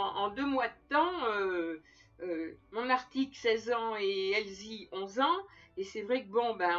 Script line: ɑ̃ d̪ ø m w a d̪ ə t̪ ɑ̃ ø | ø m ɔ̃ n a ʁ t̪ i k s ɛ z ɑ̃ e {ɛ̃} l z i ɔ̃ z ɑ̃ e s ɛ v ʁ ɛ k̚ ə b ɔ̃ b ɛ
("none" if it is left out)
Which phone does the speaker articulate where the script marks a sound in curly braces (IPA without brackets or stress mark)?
ɛ